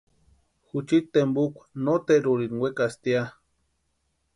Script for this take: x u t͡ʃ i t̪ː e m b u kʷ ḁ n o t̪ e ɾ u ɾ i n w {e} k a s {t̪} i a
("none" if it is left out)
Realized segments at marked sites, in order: e, t̪

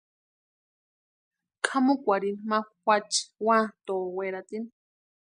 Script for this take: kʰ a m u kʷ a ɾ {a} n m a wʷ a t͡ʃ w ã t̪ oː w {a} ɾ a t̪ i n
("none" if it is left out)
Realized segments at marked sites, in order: i, e

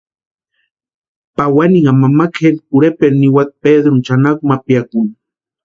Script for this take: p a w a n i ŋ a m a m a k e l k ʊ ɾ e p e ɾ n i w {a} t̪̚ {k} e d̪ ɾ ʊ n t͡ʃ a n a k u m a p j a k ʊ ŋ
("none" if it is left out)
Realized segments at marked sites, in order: a, p

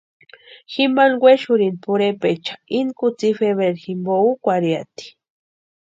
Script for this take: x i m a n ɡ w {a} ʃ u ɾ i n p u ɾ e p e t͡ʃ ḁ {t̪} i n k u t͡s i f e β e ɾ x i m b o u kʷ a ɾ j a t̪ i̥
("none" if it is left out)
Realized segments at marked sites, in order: e, none

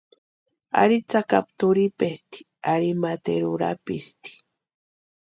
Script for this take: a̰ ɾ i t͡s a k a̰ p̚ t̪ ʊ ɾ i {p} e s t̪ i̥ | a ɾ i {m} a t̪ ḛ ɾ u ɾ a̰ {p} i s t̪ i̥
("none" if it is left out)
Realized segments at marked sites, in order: p, m, p

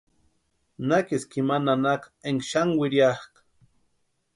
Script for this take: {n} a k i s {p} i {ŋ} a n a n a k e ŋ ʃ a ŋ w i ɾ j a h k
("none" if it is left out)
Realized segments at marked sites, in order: n, k, m

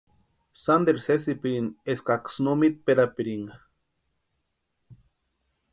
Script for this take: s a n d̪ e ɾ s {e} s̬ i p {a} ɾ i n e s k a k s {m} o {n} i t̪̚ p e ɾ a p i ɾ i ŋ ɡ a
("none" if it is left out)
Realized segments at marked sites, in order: e, i, n, m

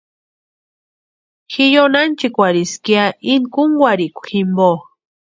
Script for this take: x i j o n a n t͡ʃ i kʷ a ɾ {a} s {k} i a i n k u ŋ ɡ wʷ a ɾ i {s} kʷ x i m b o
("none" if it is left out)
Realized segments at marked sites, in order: i, k, none

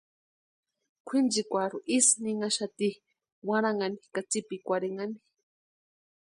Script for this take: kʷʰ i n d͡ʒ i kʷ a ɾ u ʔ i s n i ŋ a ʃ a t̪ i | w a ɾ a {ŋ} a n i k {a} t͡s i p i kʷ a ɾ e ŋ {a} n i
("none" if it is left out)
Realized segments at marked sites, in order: ŋ, a, a

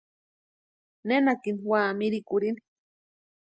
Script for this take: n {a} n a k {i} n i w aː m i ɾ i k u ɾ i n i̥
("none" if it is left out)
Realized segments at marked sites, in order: e, i

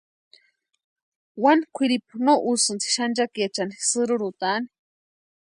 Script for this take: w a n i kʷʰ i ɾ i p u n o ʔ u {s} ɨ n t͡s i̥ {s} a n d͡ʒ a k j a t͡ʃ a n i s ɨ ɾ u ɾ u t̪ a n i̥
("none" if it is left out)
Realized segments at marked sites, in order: s, ʃ

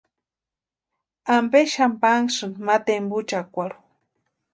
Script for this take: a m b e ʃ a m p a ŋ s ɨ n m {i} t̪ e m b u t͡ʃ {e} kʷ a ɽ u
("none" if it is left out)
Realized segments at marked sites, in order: a, a

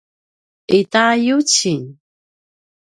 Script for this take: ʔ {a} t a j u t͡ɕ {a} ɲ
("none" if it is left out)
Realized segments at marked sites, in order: i, i

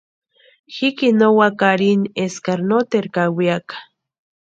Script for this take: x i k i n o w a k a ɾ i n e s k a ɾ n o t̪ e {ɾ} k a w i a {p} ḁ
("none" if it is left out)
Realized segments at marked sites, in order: ɾ, k

